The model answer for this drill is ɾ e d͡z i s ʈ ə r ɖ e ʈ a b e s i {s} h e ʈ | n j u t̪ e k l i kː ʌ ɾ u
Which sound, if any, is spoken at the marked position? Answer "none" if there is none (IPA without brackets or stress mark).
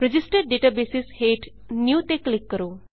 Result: s